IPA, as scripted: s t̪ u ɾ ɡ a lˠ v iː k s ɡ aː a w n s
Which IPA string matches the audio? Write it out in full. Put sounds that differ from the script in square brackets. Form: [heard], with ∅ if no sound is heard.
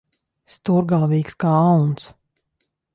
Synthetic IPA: s t̪ u ɾ ɡ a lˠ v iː k s [k] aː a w n s